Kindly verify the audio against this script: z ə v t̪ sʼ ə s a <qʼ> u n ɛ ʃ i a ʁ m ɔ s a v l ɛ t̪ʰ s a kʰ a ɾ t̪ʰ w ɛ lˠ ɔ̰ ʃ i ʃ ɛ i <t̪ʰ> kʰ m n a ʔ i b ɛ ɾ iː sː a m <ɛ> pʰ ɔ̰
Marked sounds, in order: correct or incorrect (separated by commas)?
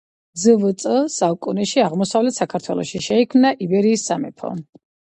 incorrect, incorrect, correct